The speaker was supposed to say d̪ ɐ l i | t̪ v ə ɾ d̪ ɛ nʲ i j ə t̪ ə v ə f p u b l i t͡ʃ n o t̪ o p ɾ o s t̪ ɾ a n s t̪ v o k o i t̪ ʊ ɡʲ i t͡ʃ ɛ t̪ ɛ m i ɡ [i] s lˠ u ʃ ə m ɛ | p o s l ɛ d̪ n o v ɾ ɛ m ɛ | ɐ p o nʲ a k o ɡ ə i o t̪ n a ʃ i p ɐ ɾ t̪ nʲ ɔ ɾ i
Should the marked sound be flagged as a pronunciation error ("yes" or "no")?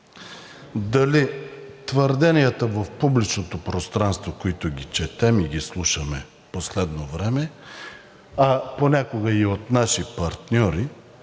no